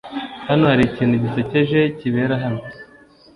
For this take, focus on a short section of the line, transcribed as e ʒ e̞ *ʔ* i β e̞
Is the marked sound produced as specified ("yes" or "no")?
no